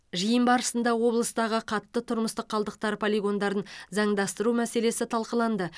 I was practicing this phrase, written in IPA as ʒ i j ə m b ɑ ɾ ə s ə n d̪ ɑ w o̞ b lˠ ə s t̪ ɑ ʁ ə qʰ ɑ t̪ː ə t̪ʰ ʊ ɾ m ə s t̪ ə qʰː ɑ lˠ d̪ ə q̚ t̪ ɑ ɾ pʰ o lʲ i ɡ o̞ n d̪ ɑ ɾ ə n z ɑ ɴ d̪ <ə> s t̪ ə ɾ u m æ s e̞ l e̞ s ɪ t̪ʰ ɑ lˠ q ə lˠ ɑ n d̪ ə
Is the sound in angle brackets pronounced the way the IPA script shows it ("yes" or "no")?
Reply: no